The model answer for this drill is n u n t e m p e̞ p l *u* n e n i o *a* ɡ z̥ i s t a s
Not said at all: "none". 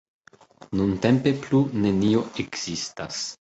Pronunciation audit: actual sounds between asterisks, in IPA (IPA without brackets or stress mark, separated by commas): u, e